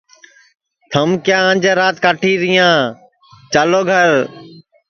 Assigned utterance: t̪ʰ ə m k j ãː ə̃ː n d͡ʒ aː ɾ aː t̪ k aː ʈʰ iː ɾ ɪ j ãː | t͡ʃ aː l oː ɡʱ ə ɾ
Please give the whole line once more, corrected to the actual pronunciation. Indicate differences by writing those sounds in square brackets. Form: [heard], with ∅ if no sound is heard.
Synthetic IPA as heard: t̪ʰ ə m k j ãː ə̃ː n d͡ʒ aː ɾ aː t̪ k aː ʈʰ iː ɾ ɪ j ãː | t͡ʃ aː l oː ɡʱ ə ɾ